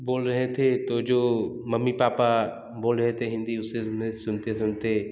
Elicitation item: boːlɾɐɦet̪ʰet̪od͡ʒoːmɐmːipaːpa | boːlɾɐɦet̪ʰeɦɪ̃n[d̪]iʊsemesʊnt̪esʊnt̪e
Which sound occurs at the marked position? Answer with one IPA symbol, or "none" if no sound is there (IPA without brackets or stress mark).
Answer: d̪